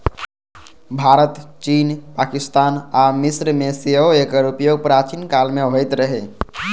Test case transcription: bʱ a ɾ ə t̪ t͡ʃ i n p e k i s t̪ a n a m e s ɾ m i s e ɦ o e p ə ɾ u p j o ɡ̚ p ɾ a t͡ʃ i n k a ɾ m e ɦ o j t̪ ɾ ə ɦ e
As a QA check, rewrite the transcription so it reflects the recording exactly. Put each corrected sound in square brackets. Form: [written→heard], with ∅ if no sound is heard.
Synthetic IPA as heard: bʱ a ɾ ə t̪ t͡ʃ i n p [e→a] k i s t̪ a n a m [e→i] s ɾ m [i→e] s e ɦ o e [p→k] ə ɾ u p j o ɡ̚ p ɾ a t͡ʃ i n k a [ɾ→l] m e ɦ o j t̪ ɾ ə ɦ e